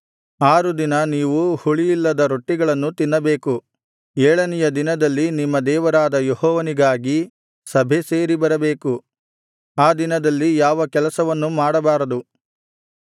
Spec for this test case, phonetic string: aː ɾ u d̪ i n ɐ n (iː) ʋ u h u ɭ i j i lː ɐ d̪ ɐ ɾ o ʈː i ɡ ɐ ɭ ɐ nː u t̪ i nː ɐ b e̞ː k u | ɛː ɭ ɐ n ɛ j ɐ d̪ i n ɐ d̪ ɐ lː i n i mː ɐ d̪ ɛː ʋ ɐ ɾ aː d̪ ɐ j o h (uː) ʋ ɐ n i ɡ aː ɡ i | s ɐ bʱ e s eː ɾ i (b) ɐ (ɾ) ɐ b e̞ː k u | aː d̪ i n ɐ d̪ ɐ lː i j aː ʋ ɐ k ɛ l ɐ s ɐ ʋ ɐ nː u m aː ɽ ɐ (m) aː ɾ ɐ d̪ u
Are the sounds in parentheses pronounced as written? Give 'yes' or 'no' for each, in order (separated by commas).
yes, no, yes, yes, no